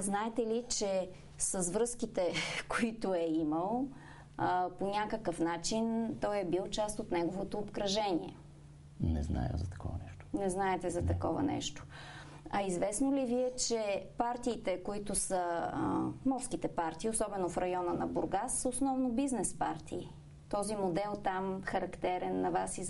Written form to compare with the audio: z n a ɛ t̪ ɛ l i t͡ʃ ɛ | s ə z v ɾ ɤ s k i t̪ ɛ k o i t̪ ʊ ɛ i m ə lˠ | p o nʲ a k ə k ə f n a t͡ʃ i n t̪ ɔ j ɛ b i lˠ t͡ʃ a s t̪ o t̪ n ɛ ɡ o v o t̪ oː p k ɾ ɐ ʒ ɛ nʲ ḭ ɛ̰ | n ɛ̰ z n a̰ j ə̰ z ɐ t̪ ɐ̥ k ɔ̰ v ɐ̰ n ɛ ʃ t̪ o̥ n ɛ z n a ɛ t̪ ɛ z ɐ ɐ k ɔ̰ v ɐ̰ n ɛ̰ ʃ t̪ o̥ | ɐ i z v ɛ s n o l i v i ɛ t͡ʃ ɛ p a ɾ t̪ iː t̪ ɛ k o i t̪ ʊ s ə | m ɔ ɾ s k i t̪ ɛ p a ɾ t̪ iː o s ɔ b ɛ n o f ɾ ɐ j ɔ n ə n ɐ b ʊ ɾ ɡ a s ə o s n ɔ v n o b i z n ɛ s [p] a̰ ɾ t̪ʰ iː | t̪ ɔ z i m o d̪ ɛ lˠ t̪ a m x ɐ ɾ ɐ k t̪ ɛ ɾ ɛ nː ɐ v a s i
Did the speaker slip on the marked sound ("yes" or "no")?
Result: no